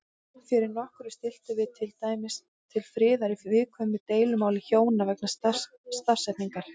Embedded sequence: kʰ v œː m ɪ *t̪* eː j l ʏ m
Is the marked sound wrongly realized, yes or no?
no